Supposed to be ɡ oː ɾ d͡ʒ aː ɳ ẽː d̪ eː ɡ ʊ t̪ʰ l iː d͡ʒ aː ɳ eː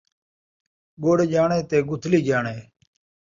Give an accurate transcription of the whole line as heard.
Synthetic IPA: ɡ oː ɽ d͡ʒ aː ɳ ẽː t̪ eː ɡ ʊ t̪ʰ l iː d͡ʒ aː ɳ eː